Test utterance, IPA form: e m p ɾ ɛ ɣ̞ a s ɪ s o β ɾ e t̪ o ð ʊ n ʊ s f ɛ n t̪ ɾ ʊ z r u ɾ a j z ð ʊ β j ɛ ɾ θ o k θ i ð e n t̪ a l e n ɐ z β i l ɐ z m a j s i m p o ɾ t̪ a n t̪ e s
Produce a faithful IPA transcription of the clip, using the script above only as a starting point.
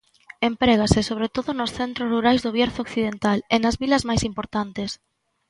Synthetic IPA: e m p ɾ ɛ ɣ̞ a s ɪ s o β ɾ e t̪ o ð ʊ n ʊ s θ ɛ n t̪ ɾ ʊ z r u ɾ a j z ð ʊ β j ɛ ɾ θ o k θ i ð e n t̪ a l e n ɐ z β i l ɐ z m a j s i m p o ɾ t̪ a n t̪ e s